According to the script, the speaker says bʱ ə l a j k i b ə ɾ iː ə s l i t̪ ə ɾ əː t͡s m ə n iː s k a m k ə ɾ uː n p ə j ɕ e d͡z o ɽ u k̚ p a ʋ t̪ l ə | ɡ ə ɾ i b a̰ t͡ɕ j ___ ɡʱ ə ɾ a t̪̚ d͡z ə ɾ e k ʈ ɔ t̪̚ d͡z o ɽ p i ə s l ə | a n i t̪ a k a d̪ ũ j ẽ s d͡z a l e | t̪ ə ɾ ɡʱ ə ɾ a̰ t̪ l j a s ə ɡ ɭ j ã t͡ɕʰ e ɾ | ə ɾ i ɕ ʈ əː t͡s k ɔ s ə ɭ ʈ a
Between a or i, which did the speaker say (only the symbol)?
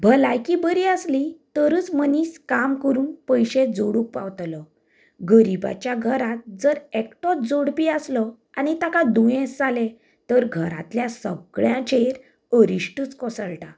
a